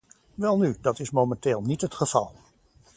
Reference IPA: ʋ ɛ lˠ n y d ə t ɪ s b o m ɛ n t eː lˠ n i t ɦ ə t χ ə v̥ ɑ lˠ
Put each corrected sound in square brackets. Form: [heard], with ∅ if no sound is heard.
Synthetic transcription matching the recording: ʋ ɛ lˠ n y d [ɑ] t ɪ s [m] o m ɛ n t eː lˠ n i t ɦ ə t χ ə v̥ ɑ lˠ